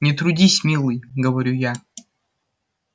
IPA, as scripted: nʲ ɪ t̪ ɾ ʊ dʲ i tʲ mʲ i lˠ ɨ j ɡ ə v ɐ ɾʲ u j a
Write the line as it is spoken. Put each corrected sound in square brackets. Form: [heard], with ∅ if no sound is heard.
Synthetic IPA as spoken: nʲ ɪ t̪ ɾ ʊ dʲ i [sʲ] mʲ i lˠ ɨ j ɡ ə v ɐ ɾʲ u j a